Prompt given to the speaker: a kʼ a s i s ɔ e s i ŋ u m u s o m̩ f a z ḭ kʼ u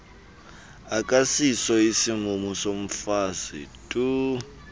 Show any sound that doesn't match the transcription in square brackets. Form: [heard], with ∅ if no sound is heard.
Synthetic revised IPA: a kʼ a s i s ɔ [i] s i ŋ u m u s o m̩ f a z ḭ [tʼ] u